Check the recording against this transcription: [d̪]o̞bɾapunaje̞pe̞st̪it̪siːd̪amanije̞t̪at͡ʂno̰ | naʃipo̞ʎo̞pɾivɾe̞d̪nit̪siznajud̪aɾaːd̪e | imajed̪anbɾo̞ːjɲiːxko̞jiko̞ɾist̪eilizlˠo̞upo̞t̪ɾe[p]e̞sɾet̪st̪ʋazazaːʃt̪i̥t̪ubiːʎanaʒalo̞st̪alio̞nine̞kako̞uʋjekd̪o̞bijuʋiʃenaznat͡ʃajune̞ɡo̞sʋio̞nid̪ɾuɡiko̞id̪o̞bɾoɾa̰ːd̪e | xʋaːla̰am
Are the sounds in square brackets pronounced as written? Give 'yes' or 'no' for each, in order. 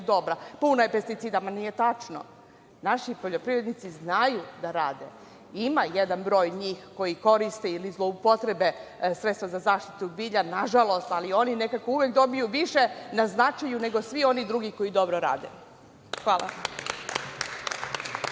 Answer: yes, no

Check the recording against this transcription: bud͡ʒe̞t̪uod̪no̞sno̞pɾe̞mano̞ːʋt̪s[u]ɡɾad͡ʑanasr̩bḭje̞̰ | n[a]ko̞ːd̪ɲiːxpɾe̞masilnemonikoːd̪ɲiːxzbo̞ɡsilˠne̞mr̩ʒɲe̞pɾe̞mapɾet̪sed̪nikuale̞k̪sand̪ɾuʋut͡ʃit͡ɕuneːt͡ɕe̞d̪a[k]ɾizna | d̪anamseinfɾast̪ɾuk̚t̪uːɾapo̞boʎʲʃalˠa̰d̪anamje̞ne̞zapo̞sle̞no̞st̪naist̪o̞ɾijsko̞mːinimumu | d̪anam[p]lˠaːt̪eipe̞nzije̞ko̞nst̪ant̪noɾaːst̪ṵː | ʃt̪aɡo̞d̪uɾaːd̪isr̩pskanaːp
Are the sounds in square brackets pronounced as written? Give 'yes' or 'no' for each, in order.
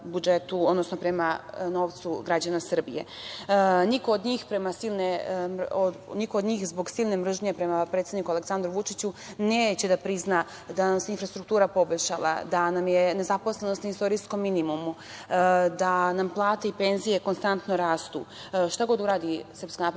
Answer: yes, no, no, yes

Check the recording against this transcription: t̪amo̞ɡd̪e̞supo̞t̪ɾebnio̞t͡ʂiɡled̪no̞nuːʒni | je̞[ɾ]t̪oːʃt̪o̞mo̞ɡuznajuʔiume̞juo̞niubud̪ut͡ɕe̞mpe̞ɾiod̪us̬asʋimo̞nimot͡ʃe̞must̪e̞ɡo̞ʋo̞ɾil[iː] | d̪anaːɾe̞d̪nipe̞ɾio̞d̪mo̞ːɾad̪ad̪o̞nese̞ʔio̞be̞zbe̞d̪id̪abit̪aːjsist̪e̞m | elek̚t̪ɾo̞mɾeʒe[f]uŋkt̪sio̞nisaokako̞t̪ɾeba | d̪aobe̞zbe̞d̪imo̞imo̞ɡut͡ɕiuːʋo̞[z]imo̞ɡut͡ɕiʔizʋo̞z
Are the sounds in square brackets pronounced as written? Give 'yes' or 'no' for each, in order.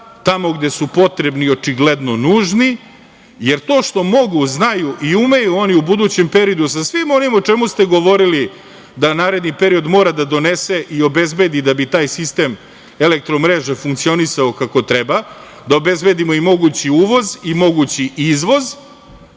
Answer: yes, no, yes, yes

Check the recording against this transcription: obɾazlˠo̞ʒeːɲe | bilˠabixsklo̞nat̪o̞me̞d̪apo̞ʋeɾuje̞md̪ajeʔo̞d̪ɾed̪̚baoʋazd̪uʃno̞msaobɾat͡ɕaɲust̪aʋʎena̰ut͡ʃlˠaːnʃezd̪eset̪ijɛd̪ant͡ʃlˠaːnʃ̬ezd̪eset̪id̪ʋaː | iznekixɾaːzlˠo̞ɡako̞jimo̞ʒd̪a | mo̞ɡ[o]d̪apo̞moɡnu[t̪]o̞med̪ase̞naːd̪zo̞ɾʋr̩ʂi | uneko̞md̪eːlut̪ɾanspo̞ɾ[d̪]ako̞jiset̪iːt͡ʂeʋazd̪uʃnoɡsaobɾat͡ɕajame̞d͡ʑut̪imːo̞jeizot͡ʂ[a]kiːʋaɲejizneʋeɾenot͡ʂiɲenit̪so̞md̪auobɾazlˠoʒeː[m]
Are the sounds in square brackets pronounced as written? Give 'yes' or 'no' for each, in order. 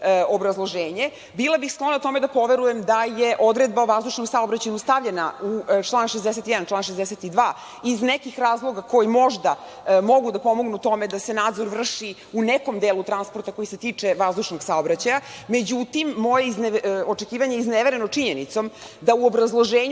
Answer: no, yes, no, no, no

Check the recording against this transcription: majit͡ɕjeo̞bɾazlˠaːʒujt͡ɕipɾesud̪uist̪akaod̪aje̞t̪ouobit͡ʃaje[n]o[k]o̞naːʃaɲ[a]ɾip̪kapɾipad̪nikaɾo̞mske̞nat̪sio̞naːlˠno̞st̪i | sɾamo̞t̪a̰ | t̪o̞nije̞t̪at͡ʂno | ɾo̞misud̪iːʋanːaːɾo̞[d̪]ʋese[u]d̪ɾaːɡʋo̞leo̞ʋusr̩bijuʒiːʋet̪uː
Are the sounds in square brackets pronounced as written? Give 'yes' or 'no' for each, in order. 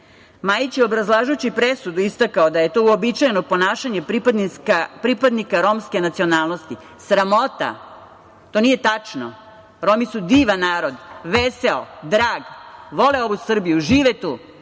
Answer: yes, no, no, yes, no

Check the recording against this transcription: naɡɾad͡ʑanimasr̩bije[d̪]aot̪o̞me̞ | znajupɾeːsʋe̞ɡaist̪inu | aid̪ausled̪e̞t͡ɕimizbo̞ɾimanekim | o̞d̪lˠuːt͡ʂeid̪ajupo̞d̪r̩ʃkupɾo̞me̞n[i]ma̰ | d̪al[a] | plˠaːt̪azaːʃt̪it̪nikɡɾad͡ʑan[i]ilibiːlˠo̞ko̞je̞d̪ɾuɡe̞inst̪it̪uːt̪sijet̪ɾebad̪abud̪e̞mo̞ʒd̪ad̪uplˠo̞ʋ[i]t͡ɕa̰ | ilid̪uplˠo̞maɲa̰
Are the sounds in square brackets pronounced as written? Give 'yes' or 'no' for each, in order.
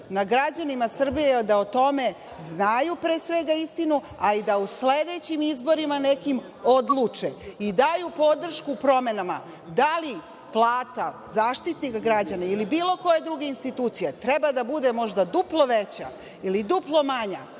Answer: yes, no, no, no, no

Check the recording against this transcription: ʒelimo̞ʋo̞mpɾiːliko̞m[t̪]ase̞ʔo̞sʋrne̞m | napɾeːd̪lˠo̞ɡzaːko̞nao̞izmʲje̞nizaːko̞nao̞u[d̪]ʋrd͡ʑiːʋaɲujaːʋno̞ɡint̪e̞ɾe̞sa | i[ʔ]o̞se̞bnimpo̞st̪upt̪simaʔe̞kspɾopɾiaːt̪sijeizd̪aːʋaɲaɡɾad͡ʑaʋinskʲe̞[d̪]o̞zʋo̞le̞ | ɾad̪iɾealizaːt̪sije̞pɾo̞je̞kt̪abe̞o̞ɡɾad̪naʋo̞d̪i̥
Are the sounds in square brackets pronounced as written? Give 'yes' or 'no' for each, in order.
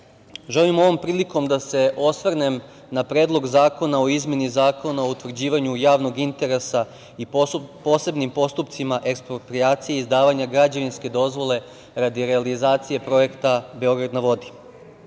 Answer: no, no, no, yes

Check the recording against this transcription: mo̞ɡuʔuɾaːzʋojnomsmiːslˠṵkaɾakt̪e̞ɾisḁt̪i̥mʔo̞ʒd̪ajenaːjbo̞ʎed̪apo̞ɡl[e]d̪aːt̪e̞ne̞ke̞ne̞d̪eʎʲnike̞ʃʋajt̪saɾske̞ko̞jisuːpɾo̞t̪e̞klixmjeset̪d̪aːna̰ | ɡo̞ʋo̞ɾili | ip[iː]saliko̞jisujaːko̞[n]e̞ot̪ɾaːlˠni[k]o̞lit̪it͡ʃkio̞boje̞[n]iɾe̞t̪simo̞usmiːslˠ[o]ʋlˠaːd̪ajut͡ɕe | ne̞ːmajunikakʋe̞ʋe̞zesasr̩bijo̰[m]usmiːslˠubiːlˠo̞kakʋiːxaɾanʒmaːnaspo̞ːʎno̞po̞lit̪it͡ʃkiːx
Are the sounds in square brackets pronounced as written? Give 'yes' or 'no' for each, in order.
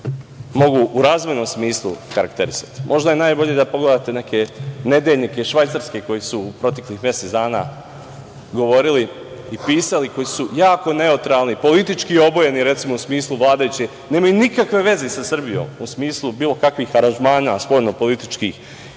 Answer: yes, yes, yes, no, yes, no, yes

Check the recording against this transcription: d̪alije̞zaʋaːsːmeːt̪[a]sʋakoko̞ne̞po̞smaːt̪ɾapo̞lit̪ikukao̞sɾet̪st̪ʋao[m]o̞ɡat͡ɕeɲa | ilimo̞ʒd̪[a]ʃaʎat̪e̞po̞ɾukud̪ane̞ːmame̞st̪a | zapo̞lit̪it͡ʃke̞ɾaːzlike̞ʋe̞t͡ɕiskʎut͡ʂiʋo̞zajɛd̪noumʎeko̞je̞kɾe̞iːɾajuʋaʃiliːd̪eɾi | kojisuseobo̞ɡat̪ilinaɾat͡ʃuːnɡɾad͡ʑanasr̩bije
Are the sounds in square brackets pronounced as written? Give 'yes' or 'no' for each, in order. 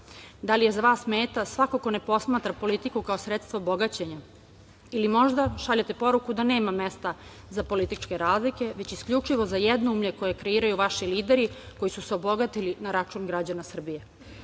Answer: yes, no, yes

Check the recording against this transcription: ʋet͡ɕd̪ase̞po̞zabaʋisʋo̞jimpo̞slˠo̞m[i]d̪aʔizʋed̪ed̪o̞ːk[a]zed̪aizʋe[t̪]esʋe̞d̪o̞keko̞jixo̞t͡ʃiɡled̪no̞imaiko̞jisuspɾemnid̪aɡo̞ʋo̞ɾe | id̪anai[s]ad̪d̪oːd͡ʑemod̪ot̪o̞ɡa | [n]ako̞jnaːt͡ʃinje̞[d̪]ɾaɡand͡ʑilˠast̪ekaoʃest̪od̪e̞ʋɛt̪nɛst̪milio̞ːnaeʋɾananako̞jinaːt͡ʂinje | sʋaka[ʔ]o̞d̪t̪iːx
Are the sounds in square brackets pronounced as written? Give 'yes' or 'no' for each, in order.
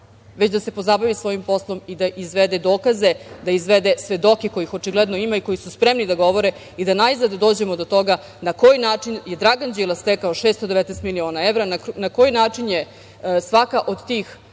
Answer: yes, yes, no, no, yes, yes, yes

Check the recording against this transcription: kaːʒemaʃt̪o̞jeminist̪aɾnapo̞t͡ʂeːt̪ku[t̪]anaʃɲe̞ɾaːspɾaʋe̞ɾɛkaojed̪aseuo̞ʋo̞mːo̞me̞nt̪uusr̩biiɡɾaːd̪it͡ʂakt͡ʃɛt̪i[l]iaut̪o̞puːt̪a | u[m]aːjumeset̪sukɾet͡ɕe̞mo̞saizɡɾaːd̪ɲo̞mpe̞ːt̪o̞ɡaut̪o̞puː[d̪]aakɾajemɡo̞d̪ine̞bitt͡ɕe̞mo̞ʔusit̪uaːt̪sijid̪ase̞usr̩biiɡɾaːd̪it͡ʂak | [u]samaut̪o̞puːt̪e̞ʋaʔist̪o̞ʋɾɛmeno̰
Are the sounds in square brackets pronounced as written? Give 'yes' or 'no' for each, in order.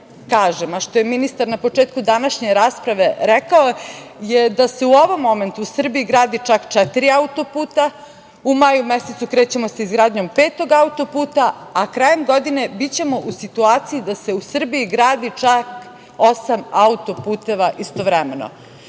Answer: no, no, yes, no, no

